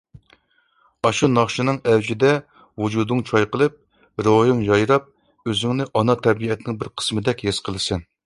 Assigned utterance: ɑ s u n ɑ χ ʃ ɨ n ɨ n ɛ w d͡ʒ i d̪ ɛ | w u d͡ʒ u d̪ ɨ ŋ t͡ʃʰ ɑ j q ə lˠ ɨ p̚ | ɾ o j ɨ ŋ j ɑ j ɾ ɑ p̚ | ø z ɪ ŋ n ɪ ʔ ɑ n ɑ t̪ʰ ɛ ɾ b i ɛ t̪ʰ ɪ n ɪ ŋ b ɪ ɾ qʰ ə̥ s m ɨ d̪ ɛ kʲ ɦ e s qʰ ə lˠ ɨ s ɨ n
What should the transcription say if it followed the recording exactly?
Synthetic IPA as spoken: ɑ ʃ u n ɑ χ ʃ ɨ n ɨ ŋ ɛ w d͡ʒ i d̪ ɛ | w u d͡ʒ u d̪ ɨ ŋ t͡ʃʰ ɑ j q ə lˠ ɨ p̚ | ɾ o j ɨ ŋ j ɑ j ɾ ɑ p̚ | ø z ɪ ŋ n ɪ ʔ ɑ n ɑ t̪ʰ ɛ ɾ b i ɛ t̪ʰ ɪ n ɪ ŋ b ɪ ɾ qʰ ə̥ s m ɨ d̪ ɛ kʲ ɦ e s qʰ ə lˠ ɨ s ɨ n

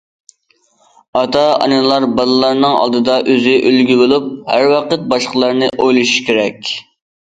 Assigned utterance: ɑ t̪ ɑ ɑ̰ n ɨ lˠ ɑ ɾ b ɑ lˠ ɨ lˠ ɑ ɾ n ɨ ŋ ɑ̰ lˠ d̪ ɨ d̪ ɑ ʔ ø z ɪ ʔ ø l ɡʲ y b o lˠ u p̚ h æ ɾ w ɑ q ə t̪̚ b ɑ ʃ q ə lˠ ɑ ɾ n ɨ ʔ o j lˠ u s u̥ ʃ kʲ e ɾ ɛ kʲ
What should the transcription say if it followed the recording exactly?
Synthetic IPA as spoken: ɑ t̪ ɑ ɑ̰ n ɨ lˠ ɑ ɾ b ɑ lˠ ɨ lˠ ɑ ɾ n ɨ ŋ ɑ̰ lˠ d̪ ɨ d̪ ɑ ʔ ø z ɪ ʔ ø l ɡʲ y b o lˠ u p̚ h æ ɾ w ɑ q ə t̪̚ b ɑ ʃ q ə lˠ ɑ ɾ n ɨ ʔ o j lˠ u ʃ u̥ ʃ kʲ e ɾ ɛ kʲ

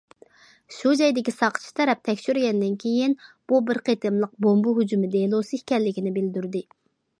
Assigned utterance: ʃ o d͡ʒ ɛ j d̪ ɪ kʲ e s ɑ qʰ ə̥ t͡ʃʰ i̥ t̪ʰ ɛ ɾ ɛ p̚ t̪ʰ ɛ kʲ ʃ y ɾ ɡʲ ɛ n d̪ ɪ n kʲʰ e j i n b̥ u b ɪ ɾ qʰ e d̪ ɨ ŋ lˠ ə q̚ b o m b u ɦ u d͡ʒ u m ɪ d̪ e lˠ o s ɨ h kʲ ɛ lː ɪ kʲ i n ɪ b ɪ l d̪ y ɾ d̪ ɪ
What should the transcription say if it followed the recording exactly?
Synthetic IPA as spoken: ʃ u d͡ʒ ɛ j d̪ ɪ kʲ i s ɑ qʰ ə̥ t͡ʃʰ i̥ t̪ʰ ɛ ɾ ɛ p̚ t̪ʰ ɛ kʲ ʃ y ɾ ɡʲ ɛ n d̪ ɪ n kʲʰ e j i n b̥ u b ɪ ɾ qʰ e t̪ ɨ m lˠ ə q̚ b o m b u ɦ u d͡ʒ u m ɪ d̪ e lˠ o s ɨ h kʲ ɛ lː ɪ kʲ i n ɪ b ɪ l d̪ y ɾ d̪ ɪ

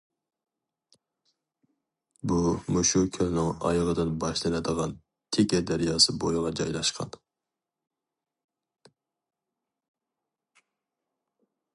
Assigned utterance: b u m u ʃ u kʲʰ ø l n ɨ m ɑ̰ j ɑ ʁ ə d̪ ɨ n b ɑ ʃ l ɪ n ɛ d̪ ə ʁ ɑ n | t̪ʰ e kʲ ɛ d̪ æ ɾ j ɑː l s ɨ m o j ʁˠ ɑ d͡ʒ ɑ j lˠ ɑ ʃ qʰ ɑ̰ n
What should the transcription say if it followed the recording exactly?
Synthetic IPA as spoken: b u m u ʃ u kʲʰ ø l n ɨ ŋ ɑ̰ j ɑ ʁ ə d̪ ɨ n b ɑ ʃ l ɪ n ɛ d̪ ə ʁ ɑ n | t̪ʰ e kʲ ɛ d̪ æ ɾ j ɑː s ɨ b o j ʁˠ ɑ d͡ʒ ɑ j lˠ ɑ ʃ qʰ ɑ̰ n

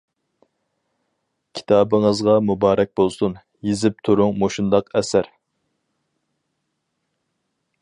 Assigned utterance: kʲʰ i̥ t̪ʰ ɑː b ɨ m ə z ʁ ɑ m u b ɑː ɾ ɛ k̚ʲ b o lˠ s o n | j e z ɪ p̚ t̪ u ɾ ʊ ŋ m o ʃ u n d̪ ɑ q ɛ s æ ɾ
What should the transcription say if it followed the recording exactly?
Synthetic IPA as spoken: kʲʰ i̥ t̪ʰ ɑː b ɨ ŋ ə z ʁ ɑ m u b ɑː ɾ ɛ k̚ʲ b o lˠ s u n | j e z ɪ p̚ t̪ʰ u ɾ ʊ ŋ m o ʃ u n d̪ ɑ q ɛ s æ ɾ

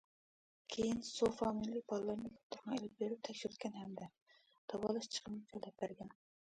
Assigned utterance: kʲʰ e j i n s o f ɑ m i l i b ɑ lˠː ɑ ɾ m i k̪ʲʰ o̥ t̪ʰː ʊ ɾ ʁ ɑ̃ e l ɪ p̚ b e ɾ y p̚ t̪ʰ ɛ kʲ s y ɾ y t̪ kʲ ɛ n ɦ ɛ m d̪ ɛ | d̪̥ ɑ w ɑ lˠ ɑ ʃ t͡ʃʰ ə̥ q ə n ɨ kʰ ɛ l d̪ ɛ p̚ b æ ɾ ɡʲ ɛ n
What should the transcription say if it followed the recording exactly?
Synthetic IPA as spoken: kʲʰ e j i n s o f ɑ m i l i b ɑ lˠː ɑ ɾ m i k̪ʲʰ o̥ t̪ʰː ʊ ɾ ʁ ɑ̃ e l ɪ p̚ b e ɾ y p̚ t̪ʰ ɛ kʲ ʃ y ɾ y t̪ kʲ ɛ n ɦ ɛ m d̪ ɛ | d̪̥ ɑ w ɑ lˠ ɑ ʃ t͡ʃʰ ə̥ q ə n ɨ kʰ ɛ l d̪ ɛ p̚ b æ ɾ ɡʲ ɛ n

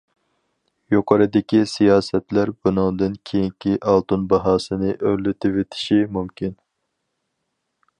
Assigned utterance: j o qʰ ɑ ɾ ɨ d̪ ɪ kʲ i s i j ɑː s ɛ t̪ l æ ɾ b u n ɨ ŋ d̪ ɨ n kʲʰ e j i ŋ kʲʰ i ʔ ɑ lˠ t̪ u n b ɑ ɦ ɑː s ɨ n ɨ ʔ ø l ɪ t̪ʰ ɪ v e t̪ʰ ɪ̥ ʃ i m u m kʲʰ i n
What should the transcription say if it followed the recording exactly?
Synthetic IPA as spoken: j o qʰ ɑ ɾ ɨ d̪ ɪ kʲ i s i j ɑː s ɛ t̪ l æ ɾ b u n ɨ ŋ d̪ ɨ n kʲʰ e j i ŋ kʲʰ i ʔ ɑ lˠ t̪ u n b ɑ ɦ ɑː s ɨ n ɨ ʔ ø l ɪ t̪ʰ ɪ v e t̪ʰ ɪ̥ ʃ i m u m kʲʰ i n

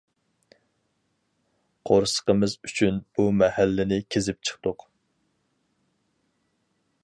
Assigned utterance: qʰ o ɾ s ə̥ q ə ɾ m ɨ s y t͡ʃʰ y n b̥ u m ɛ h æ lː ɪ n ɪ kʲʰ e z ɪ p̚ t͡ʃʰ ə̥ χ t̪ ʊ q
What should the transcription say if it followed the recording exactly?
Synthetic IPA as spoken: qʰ o ɾ s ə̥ q ə m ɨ z y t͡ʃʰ y n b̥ u m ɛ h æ lː ɪ n ɪ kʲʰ e z ɪ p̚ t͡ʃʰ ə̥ χ t̪ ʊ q

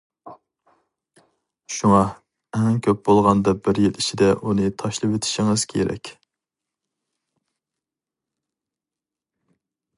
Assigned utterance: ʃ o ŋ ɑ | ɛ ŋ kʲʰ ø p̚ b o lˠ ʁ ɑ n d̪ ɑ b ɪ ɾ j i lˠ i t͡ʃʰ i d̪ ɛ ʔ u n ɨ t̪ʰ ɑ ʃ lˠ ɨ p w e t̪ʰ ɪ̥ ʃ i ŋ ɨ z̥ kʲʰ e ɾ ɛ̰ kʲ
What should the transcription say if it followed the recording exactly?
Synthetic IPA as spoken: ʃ u ŋ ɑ | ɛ ŋ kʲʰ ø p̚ b o lˠ ʁ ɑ n d̪ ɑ b ɪ ɾ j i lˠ i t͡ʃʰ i d̪ ɛ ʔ u n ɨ t̪ʰ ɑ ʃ lˠ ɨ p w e t̪ʰ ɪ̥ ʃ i ŋ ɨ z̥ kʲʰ e ɾ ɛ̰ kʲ

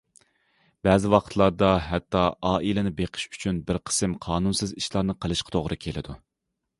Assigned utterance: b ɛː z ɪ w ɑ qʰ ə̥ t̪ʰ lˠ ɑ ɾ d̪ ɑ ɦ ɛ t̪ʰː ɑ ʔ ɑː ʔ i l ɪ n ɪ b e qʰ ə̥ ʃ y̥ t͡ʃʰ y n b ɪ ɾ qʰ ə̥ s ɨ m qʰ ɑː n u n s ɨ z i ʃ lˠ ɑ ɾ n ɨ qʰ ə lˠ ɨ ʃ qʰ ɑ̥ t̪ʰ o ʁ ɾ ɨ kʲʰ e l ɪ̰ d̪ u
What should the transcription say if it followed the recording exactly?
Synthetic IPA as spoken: b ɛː z ɪ w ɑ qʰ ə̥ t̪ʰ lˠ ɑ ɾ d̪ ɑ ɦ ɛ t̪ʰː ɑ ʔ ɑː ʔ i l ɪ n ɪ b e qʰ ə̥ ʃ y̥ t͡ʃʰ y n b ɪ ɾ qʰ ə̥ s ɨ m qʰ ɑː n u n s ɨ z i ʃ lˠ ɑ ɾ n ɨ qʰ ə lˠ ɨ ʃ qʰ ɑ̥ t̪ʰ o ʁ ɾ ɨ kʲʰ e l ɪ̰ d̪ u

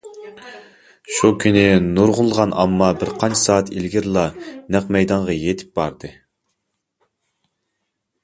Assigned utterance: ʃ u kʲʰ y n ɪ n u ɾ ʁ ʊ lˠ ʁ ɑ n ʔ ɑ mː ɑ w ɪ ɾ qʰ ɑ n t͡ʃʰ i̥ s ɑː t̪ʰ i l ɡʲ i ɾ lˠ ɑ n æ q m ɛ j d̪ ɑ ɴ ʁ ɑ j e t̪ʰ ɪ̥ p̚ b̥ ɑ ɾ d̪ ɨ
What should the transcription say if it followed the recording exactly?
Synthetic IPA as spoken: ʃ u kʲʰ y n ɪ n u ɾ ʁ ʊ lˠ ʁ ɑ n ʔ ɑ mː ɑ b ɪ ɾ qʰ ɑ n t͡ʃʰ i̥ s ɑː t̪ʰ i l ɡʲ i ɾ lˠ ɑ n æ q m ɛ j d̪ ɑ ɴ ʁ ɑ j e t̪ʰ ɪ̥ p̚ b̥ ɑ ɾ d̪ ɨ

